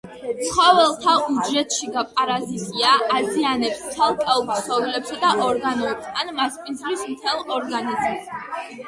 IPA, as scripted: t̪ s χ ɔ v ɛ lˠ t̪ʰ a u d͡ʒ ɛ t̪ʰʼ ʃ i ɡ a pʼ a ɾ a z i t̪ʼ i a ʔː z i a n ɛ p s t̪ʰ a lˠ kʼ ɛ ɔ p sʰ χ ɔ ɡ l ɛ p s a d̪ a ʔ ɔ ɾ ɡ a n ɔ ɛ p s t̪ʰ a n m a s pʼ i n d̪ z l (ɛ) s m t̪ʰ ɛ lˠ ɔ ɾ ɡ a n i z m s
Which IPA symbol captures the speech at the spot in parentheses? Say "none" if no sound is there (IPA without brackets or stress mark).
i